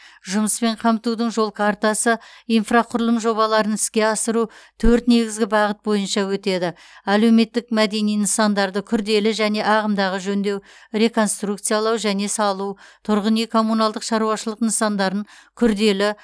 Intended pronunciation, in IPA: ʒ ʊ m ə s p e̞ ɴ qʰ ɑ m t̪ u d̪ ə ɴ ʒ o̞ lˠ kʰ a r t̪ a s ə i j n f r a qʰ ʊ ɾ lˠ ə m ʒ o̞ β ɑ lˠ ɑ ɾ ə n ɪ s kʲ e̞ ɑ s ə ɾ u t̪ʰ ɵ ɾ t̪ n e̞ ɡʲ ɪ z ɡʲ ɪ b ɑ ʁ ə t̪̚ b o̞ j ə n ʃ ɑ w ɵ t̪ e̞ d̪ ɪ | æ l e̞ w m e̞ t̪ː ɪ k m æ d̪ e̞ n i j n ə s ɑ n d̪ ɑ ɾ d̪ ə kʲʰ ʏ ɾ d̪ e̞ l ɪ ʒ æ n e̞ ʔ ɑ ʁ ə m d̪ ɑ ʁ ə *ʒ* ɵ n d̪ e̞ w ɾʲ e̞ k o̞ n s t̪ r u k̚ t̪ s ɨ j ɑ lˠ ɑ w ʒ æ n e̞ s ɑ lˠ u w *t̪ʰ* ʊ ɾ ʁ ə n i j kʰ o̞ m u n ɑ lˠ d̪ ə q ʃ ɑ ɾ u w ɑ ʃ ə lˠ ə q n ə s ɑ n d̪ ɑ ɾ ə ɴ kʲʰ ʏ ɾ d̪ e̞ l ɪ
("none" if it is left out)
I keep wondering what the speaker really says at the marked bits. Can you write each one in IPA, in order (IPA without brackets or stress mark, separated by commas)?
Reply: ʒ, t̪ʰ